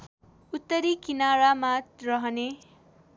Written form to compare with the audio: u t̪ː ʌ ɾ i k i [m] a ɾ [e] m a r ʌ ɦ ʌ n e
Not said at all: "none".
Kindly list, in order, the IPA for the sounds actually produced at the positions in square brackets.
n, a

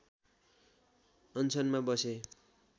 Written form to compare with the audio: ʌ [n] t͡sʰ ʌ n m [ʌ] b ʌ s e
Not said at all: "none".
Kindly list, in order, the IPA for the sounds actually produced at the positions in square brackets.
n, a

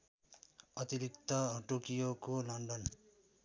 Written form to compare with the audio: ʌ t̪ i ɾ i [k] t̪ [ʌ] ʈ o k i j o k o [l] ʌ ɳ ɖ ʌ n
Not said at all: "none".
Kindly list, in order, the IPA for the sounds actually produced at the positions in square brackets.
k, ʌ, l

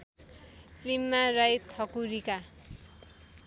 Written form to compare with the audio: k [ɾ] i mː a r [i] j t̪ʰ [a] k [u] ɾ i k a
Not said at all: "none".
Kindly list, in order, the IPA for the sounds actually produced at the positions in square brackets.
l, a, ʌ, u

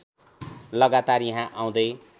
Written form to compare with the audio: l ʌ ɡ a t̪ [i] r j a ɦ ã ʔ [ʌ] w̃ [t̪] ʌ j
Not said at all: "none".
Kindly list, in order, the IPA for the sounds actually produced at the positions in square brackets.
a, a, d̪

